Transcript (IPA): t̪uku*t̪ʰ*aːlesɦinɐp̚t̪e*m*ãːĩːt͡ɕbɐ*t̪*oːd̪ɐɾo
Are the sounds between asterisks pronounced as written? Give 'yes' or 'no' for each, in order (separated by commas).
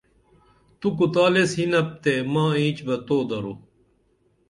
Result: no, yes, yes